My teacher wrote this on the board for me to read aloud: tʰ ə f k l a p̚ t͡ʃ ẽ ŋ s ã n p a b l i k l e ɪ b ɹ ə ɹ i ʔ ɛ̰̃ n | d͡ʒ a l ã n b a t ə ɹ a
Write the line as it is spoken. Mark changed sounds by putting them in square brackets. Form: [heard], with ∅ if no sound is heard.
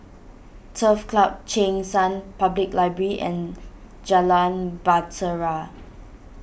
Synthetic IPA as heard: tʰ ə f k l a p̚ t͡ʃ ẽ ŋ s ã n p a b l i k l [a] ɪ b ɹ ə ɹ i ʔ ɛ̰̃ n | d͡ʒ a l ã n b a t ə ɹ a